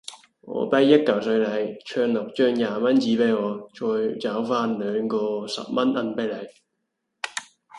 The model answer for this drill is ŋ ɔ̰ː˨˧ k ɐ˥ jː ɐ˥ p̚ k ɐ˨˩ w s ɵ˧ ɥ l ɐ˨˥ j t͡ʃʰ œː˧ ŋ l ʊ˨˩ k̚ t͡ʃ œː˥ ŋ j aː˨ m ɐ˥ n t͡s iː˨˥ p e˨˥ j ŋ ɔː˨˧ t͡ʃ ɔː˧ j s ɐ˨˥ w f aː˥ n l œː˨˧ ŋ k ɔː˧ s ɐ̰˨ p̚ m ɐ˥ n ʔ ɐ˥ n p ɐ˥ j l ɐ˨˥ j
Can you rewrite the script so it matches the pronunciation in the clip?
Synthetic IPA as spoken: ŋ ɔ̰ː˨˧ p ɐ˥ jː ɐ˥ t̚ k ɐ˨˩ w s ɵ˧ ɥ l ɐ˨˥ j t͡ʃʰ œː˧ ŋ l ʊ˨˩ k̚ t͡ʃ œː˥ ŋ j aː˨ m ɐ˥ n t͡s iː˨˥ p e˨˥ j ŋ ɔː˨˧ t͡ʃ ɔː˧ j t͡s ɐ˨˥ w f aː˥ n l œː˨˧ ŋ k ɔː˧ s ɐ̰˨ p̚ m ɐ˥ n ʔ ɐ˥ n p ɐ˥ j l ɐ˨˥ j